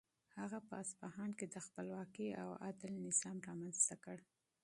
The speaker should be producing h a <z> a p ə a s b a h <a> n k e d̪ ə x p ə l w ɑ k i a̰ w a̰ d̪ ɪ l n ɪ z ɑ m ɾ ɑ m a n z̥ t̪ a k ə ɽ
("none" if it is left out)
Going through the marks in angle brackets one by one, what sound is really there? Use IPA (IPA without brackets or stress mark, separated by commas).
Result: ɣ, ɑ